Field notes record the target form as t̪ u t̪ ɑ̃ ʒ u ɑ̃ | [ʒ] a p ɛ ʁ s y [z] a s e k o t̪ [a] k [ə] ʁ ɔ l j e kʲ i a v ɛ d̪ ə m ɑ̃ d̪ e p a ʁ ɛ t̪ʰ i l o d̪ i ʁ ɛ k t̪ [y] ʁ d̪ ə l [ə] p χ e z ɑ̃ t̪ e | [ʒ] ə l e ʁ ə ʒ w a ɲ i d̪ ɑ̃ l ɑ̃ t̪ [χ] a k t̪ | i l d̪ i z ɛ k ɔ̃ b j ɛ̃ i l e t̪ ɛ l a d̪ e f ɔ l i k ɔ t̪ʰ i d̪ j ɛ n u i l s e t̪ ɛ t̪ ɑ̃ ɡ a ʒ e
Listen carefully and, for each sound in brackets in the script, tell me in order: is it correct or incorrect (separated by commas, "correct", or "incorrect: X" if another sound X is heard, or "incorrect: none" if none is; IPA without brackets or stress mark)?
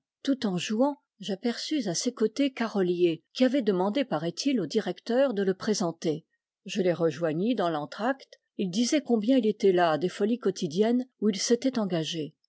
correct, correct, incorrect: e, incorrect: a, incorrect: œ, correct, correct, correct